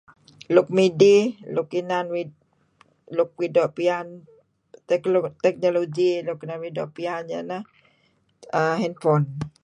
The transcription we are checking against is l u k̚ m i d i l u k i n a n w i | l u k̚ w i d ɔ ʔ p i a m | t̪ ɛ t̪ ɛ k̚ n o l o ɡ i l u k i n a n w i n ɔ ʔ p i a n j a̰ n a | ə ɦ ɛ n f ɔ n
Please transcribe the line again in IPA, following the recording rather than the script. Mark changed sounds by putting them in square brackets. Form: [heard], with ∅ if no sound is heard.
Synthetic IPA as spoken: l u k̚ m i d i l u k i n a n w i | l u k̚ w i d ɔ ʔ p i a [n] | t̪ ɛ t̪ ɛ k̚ n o l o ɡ i l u k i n a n w i [d] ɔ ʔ p i a n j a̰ n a | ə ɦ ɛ n f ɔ n